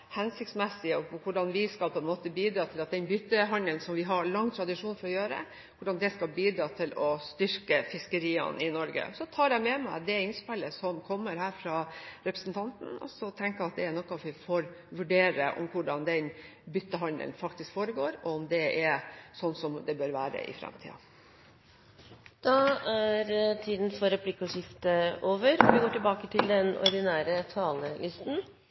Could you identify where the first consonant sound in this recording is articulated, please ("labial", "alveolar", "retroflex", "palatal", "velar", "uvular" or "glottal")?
glottal